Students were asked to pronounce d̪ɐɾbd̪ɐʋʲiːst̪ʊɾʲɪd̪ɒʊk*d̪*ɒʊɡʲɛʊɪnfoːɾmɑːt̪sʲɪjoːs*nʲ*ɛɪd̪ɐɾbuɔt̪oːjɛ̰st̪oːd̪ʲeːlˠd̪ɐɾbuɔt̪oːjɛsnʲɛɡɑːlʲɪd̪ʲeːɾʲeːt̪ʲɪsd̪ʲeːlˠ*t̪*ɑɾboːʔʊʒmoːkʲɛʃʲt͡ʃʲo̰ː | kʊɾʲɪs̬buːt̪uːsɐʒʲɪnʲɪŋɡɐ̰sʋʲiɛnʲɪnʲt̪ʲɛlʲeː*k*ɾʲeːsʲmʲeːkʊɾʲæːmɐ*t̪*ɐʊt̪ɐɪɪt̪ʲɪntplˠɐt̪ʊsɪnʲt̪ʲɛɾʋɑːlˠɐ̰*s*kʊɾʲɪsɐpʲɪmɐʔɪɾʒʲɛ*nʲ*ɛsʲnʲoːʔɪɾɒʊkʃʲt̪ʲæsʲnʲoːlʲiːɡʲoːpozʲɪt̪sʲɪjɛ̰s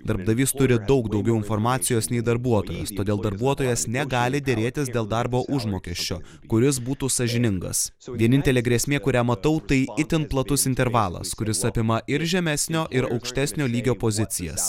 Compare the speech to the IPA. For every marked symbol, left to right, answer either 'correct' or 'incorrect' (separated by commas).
correct, correct, incorrect, incorrect, correct, correct, incorrect